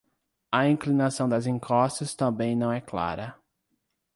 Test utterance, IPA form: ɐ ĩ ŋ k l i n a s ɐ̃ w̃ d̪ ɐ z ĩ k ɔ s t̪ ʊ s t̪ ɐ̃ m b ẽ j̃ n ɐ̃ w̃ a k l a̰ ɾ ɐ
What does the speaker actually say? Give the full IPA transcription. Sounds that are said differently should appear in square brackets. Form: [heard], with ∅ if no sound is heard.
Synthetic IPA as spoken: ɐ ĩ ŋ k l i n a s ɐ̃ w̃ d̪ ɐ z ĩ k ɔ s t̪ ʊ s t̪ ɐ̃ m b ẽ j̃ n ɐ̃ w̃ [ɛ] k l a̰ ɾ ɐ